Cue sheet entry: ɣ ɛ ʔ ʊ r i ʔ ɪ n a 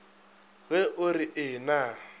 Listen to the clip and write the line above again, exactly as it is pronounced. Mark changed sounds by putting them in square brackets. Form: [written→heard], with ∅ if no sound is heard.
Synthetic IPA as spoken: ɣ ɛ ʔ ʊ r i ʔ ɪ n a